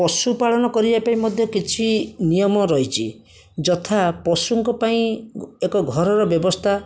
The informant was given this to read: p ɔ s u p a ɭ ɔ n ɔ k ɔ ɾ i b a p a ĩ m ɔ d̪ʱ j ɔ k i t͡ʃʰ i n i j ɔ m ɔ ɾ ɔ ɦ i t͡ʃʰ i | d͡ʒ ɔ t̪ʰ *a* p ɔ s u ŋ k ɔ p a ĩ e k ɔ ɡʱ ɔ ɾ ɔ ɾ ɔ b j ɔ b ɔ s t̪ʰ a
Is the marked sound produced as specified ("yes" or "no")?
yes